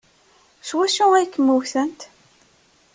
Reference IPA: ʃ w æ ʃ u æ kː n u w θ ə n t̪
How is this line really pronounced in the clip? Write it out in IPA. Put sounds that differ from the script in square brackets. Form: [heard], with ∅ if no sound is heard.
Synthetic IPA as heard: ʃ w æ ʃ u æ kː [m] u w θ ə n t̪